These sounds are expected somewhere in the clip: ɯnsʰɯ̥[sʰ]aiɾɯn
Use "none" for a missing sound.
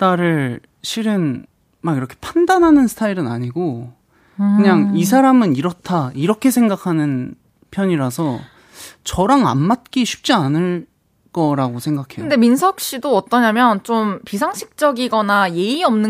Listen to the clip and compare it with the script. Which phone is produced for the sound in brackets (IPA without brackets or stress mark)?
tʰ